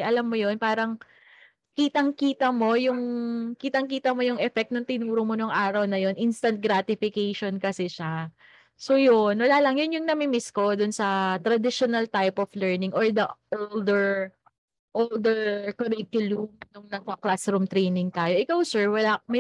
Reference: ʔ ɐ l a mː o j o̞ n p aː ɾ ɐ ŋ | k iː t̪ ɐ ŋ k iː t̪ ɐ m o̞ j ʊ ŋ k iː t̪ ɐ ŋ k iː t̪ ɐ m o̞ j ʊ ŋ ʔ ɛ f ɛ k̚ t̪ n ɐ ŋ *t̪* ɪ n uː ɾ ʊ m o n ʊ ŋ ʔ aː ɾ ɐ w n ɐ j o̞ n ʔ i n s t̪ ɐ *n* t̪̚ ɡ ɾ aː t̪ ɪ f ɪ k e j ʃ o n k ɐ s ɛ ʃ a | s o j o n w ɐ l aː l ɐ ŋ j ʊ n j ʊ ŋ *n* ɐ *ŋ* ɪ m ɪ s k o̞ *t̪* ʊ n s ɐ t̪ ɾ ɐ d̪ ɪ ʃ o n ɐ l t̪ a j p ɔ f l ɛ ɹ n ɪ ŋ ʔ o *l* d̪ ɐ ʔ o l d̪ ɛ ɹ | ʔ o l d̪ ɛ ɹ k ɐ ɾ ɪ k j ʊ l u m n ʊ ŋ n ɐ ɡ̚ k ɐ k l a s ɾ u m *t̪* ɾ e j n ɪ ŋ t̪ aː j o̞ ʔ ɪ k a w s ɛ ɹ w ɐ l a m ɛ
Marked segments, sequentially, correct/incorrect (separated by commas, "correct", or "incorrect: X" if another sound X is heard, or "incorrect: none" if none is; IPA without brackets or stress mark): correct, correct, correct, incorrect: m, incorrect: d̪, incorrect: ɹ, correct